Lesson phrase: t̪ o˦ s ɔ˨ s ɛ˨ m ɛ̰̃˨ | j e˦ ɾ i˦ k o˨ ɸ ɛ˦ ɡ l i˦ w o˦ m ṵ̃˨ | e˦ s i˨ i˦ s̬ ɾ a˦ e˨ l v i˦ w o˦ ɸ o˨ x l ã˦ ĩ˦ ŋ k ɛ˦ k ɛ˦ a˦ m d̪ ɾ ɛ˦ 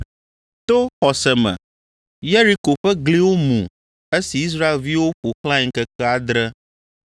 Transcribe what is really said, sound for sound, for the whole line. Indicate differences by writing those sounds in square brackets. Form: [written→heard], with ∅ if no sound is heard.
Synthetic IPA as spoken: t̪ o˦ [s→x] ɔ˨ s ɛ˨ m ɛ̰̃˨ | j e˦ ɾ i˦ k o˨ ɸ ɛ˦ ɡ l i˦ w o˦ m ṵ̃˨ | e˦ s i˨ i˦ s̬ ɾ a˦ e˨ l v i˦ w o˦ ɸ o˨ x l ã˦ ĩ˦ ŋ k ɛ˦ k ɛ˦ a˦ [m→∅] d̪ ɾ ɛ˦